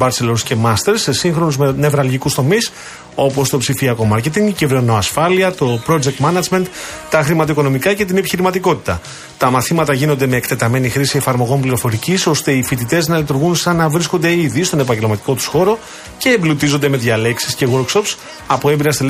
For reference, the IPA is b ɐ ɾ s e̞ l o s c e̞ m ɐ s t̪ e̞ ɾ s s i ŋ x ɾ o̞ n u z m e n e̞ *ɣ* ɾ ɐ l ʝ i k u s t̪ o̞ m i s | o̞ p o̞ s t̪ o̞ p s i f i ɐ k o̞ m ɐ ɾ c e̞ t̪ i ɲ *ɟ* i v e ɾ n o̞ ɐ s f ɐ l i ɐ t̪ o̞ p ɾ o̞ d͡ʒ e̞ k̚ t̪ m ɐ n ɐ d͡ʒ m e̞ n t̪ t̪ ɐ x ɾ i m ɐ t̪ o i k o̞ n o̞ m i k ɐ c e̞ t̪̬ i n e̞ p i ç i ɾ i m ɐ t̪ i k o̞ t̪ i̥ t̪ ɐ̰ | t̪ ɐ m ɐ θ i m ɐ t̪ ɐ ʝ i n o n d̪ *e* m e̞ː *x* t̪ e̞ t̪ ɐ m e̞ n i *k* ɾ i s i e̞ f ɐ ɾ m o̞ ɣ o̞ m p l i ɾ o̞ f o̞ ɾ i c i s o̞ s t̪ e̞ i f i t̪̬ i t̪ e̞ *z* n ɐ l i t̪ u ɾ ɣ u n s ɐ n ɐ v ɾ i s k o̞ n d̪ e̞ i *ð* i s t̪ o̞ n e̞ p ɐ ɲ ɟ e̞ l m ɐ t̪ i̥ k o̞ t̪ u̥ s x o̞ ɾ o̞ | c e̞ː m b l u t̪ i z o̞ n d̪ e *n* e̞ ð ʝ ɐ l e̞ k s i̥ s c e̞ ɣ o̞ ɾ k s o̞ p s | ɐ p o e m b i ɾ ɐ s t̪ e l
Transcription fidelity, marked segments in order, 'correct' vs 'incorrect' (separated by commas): incorrect, incorrect, correct, incorrect, incorrect, correct, correct, incorrect